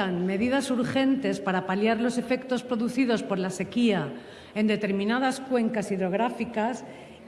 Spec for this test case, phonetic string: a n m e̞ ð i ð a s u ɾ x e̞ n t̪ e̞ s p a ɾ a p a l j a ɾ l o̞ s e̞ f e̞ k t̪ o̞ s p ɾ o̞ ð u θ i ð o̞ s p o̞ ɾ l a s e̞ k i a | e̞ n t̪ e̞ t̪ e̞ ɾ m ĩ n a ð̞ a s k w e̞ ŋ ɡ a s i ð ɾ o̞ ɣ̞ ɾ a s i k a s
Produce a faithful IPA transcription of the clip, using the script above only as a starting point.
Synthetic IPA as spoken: a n m e̞ ð i ð a s u ɾ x e̞ n t̪ e̞ s p a ɾ a p a l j a ɾ l o̞ s e̞ f e̞ k t̪ o̞ s p ɾ o̞ ð u θ i ð o̞ s p o̞ ɾ l a s e̞ k i a | e̞ n d̪ e̞ t̪ e̞ ɾ m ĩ n a ð̞ a s k w e̞ ŋ k a s i ð ɾ o̞ ɣ̞ ɾ a f i k a s